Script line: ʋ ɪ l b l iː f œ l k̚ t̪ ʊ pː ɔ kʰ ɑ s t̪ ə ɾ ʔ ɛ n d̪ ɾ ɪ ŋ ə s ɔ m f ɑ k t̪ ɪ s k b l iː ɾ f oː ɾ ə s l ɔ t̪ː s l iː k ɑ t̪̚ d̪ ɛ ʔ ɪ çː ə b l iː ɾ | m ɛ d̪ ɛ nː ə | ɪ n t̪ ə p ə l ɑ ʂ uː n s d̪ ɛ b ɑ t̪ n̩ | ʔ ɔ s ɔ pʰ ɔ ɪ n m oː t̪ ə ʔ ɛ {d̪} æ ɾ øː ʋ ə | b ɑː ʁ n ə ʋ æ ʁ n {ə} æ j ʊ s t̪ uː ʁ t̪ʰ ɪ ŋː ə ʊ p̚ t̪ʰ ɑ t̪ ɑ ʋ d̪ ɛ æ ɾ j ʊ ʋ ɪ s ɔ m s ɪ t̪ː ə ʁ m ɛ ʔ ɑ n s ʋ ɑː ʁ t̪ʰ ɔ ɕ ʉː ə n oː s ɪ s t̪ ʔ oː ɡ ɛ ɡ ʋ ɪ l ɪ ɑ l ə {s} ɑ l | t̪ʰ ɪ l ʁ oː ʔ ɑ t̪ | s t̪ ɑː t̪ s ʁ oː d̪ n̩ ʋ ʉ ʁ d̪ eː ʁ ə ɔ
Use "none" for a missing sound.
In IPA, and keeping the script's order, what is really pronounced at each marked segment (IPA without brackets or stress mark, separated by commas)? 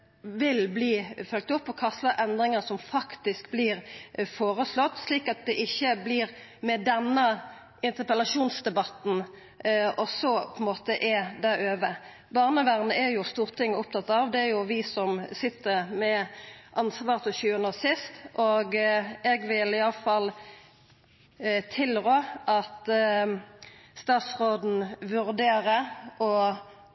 d̪, ə, f